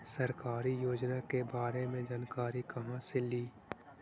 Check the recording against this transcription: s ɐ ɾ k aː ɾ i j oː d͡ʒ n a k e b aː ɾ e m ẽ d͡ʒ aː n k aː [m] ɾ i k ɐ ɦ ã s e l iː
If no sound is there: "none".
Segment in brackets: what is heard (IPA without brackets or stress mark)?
none